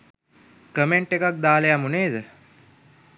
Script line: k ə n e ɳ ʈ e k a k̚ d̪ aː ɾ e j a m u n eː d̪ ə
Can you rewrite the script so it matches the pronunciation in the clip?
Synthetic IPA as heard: k ə m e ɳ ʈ e k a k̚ d̪ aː l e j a m u n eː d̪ ə